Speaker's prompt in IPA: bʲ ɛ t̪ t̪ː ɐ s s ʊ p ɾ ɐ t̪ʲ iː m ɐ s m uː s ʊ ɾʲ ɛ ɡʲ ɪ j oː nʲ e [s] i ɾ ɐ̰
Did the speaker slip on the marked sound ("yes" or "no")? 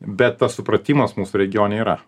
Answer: yes